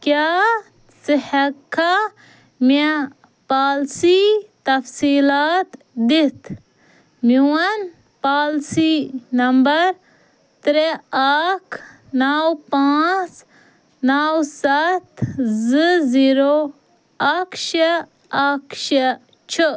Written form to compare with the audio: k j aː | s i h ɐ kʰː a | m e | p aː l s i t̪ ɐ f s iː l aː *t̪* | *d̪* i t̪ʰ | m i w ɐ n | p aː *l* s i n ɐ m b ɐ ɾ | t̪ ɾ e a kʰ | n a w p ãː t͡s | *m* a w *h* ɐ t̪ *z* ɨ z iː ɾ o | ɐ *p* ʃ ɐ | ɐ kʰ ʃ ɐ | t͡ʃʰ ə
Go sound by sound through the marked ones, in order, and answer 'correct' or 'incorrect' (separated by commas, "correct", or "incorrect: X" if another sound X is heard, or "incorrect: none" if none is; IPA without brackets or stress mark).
correct, correct, correct, incorrect: n, incorrect: s, correct, incorrect: k